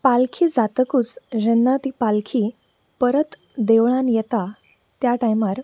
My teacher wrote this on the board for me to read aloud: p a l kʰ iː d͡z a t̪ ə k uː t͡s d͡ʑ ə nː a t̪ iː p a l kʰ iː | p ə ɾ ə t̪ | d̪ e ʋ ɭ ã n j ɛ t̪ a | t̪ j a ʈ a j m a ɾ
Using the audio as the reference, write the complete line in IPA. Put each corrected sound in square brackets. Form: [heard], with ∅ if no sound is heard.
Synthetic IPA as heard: p a l kʰ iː d͡z a t̪ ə k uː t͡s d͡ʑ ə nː a t̪ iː p a l kʰ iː | p ə ɾ ə t̪ | d̪ e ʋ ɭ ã n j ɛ t̪ a | t̪ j a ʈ a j m a ɾ